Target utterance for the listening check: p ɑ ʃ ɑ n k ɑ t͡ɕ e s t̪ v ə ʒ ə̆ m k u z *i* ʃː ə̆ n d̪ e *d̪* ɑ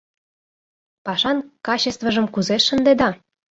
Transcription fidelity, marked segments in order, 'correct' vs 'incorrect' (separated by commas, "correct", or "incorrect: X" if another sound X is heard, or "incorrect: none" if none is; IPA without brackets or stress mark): incorrect: e, correct